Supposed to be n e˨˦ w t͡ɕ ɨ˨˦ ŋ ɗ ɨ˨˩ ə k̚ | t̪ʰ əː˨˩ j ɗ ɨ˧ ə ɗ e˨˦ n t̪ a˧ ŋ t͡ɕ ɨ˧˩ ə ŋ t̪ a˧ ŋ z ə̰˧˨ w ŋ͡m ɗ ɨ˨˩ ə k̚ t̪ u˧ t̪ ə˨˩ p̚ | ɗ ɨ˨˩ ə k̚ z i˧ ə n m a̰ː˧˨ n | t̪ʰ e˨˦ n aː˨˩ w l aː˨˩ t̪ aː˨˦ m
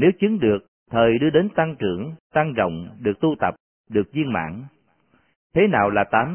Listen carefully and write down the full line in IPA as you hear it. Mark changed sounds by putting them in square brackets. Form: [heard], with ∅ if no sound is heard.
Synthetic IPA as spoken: n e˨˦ w t͡ɕ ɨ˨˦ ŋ ɗ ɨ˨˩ ə k̚ | t̪ʰ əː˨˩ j ɗ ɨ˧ ə ɗ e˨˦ n t̪ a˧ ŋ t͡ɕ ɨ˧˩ ə ŋ t̪ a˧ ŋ z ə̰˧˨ w ŋ͡m ɗ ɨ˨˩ ə k̚ t̪ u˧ t̪ ə˨˩ p̚ | ɗ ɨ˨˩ ə k̚ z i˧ ə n m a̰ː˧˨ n | t̪ʰ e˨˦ n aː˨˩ w l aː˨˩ t̪ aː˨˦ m